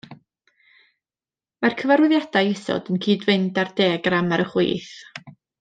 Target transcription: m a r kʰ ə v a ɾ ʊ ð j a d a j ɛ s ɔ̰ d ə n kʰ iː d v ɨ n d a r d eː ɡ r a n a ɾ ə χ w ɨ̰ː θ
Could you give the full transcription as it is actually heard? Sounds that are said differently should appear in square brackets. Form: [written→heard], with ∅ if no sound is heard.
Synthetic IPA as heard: m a r kʰ ə v a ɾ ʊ ð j a d a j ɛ s ɔ̰ d ə n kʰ iː d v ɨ n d a r d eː ɡ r a [n→m] a ɾ ə χ w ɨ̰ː θ